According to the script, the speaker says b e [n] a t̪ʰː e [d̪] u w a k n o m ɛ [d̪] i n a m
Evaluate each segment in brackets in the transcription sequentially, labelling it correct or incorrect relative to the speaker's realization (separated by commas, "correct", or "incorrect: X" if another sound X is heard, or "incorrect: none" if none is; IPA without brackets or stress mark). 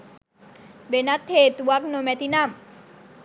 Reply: correct, incorrect: t̪, incorrect: t̪